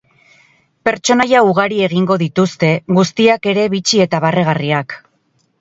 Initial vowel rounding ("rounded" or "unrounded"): unrounded